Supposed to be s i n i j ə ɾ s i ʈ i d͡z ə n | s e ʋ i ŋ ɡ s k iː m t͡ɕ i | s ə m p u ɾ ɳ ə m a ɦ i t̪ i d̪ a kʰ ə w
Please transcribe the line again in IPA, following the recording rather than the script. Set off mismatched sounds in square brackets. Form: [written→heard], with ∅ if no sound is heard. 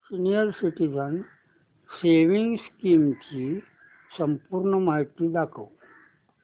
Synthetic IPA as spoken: s i n i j ə ɾ s i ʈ i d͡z ə n | s e ʋ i ŋ ɡ s k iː m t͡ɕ i | s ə m p u ɾ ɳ ə m a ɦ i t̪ i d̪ a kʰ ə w